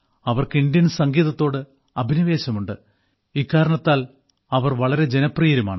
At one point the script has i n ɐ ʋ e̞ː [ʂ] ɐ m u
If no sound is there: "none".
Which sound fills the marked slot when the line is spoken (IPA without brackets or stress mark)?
ɕ